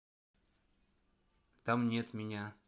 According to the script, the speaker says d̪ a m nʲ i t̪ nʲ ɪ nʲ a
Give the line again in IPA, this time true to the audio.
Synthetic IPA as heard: t̪ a m nʲ e t̪ mʲ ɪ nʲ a